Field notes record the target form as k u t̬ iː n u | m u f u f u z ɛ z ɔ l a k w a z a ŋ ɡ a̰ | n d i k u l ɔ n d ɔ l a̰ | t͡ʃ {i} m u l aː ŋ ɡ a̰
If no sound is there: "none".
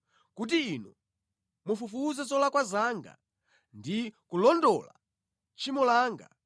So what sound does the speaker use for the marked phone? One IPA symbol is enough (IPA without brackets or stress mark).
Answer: i